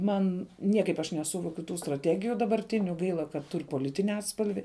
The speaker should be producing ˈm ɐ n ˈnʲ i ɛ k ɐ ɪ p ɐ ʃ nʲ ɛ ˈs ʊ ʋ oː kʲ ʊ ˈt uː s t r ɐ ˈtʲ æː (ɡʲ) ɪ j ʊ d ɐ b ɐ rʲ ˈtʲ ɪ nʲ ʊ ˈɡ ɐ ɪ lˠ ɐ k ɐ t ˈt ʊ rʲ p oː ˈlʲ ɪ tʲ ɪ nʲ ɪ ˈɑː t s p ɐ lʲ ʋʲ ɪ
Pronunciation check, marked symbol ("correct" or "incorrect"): correct